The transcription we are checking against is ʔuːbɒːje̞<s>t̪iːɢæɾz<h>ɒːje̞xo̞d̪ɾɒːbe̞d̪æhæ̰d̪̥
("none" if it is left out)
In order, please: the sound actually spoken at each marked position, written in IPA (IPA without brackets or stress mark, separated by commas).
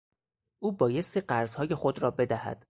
s, h